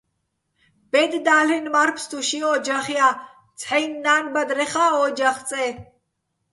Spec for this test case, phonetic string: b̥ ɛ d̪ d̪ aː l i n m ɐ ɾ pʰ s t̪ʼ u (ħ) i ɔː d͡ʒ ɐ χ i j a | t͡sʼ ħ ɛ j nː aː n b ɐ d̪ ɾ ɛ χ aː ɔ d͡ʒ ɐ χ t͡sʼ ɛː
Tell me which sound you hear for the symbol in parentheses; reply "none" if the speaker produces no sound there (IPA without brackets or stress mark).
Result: ʃ